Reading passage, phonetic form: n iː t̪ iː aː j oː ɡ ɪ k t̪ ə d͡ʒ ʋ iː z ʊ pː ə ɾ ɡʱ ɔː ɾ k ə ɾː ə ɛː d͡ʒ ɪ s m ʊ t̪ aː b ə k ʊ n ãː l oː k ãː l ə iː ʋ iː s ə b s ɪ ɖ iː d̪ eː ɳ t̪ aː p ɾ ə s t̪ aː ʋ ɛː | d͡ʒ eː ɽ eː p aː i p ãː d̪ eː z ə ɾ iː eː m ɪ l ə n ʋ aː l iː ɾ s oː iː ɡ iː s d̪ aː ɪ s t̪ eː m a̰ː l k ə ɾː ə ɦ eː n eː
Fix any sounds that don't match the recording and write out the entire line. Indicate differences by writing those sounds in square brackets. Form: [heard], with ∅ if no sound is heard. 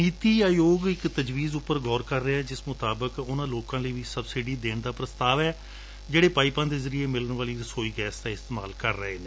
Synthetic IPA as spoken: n iː t̪ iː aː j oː ɡ ɪ k t̪ ə d͡ʒ ʋ iː z ʊ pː ə ɾ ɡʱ ɔː ɾ k ə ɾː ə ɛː d͡ʒ ɪ s m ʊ t̪ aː b ə k ʊ n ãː l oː k ãː l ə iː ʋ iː s ə b s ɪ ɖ iː d̪ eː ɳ [d̪] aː p ɾ ə s t̪ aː ʋ ɛː | d͡ʒ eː ɽ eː p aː i p ãː d̪ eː z ə ɾ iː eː m ɪ l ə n ʋ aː l iː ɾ s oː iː ɡ [ɛː] s d̪ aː ɪ s t̪ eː m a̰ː l k ə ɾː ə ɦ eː n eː